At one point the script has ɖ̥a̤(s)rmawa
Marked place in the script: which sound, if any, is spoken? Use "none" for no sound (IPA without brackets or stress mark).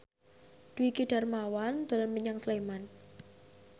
none